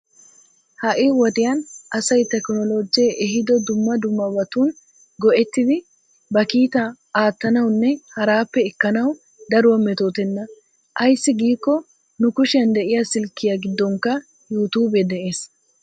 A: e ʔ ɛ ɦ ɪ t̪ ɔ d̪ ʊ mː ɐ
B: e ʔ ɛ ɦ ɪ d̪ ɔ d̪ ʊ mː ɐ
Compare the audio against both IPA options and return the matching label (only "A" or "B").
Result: B